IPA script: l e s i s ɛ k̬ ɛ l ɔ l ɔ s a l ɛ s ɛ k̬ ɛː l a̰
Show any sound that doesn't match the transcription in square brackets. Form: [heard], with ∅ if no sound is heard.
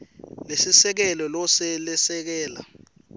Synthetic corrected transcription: l e s i s ɛ k̬ ɛ l ɔ l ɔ s [ɛ] l ɛ s ɛ k̬ ɛː l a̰